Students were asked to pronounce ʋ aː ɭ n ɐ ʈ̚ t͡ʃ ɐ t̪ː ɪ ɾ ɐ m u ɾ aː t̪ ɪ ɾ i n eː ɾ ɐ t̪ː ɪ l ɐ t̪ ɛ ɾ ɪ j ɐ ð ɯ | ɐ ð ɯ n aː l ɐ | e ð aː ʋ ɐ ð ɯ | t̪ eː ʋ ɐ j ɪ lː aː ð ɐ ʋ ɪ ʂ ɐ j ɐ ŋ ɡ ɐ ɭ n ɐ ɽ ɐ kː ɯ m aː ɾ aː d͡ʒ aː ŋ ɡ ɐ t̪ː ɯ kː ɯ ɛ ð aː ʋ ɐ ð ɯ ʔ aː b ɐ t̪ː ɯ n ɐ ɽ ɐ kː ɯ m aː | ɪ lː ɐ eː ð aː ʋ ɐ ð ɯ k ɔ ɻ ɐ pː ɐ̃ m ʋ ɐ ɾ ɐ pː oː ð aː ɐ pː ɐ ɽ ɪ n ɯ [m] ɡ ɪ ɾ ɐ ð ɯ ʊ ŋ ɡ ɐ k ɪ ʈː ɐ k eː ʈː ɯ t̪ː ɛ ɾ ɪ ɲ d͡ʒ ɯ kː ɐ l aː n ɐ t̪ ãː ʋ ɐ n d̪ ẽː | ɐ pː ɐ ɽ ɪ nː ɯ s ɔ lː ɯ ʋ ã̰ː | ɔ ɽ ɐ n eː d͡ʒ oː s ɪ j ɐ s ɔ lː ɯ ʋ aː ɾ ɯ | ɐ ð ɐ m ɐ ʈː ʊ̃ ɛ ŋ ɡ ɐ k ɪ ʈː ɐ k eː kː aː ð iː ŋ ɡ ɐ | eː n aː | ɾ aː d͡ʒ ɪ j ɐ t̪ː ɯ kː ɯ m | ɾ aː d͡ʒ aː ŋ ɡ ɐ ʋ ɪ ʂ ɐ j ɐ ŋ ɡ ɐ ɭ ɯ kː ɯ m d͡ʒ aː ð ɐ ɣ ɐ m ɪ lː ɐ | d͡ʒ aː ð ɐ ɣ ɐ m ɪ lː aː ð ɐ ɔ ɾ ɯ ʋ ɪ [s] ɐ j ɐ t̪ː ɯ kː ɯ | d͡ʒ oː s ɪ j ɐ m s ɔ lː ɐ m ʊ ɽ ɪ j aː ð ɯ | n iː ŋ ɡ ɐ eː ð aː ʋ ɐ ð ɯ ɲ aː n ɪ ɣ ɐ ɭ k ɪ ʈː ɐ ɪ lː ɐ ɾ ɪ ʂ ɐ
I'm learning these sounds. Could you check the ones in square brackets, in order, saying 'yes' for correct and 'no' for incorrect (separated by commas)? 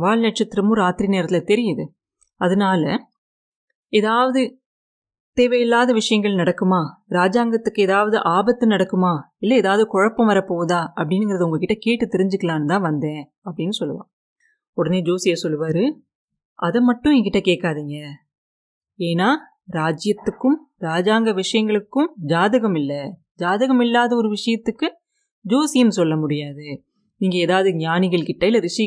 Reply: no, no